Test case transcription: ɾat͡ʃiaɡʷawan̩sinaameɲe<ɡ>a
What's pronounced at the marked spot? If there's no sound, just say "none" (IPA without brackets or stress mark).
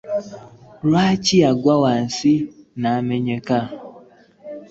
k